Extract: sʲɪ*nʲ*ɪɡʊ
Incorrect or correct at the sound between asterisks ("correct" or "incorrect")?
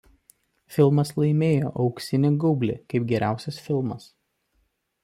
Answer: correct